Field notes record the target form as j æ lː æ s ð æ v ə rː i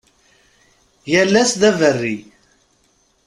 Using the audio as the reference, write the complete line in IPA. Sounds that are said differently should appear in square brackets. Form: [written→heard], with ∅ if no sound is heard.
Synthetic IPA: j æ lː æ s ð æ v ə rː i